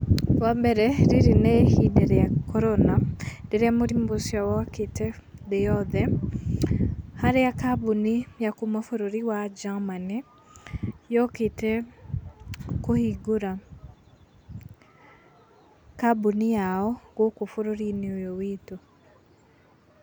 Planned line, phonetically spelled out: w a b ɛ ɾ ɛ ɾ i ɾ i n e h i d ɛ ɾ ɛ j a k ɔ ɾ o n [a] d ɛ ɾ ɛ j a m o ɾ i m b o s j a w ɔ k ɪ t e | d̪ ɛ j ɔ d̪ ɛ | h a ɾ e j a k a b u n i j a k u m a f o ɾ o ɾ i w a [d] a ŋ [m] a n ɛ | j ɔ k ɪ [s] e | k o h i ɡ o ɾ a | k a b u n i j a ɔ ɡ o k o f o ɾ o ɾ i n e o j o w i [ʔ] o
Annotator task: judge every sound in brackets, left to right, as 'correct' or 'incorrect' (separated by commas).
correct, incorrect, correct, incorrect, incorrect